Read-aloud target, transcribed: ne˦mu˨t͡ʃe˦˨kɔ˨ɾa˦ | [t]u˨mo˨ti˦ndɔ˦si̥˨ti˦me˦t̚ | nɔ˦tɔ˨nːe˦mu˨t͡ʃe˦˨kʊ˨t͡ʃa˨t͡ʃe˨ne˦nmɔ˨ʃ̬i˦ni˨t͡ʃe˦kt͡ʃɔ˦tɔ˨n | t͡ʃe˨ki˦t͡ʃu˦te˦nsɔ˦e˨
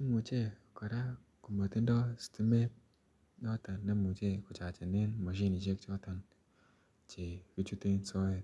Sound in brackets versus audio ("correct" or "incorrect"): incorrect